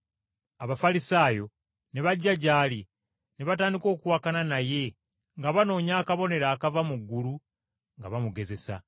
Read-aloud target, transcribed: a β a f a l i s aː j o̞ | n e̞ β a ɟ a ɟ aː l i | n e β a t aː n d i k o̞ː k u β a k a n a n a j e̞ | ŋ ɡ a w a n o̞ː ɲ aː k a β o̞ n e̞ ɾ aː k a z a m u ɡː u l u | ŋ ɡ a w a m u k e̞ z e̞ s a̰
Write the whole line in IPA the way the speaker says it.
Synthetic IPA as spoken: a β a f a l i s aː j o̞ | n e̞ β a ɟː a ɟ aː l i | n e β a t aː n d i k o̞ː k u w a k a n a n a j e̞ | ŋ ɡ a β a n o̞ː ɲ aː k a β o̞ n e̞ ɾ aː k a v a m u ɡː u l u | ŋ ɡ a β a m u ɡ e̞ z e̞ s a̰